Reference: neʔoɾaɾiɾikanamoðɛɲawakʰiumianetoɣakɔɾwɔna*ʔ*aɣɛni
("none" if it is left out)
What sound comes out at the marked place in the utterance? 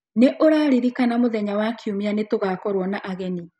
ʔ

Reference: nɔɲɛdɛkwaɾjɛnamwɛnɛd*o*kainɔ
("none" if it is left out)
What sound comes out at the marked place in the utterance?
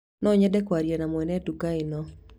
u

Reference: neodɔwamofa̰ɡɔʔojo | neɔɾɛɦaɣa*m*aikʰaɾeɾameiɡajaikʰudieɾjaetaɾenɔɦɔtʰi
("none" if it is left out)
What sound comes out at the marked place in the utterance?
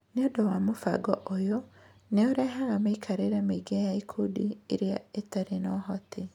m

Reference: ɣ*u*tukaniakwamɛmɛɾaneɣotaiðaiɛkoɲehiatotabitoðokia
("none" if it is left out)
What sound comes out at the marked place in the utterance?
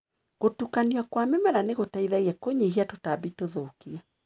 o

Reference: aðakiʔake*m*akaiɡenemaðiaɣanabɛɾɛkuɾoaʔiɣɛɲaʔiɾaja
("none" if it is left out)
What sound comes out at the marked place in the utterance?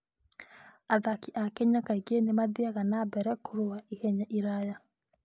ɲ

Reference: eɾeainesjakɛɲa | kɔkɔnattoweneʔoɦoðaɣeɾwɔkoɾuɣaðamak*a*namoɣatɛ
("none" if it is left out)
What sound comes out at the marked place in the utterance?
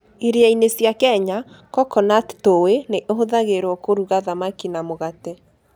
i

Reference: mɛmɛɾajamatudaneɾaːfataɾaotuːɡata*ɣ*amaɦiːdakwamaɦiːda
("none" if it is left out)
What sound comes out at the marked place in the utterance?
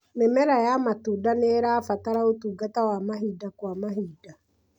w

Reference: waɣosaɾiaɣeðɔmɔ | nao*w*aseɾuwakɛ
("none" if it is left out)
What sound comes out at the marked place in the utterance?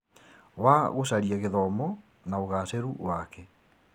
ɣ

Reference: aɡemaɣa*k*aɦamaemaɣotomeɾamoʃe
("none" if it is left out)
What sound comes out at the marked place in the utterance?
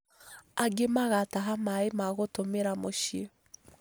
t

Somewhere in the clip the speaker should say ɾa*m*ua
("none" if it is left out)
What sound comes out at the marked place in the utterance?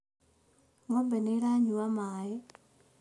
ɲ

